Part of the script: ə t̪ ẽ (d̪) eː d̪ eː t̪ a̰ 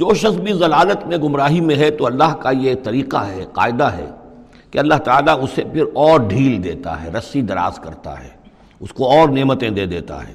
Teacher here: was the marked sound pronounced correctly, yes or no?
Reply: yes